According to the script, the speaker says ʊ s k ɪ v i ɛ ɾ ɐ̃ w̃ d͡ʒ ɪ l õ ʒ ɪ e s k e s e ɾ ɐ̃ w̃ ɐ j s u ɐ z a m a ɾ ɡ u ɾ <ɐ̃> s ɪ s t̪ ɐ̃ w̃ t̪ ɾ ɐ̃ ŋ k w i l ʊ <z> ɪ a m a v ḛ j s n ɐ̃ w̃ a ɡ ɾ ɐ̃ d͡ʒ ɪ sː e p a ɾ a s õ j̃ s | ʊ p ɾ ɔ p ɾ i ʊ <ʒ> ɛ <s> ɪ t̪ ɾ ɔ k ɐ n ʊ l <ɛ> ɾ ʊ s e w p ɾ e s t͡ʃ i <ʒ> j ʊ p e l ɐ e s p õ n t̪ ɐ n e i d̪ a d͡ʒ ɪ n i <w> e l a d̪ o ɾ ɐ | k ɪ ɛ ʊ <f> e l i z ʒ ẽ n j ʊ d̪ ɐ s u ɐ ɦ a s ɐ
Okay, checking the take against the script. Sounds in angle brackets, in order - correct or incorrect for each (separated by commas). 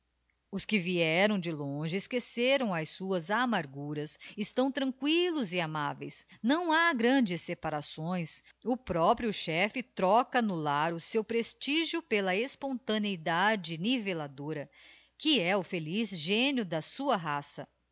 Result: incorrect, correct, incorrect, incorrect, incorrect, correct, incorrect, correct